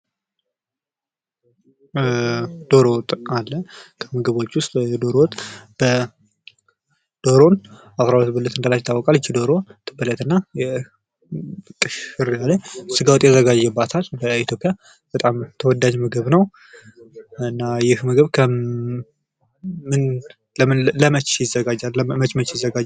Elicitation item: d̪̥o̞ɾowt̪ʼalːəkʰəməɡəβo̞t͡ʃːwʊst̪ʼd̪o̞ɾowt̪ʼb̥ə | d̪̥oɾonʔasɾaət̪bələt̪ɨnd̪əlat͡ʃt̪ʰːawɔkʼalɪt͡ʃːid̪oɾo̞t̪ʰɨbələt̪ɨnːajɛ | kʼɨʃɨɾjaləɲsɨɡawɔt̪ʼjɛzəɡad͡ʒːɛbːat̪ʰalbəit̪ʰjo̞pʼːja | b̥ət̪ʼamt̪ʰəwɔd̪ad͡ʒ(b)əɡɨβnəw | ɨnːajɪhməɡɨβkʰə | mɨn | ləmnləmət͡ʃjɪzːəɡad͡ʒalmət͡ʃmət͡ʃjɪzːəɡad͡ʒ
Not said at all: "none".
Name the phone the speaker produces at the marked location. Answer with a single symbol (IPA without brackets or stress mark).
m